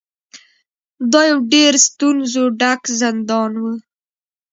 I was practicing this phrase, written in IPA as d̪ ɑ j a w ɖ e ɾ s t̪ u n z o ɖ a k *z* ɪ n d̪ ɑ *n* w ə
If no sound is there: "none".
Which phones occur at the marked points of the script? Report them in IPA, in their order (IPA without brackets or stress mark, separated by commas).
z, n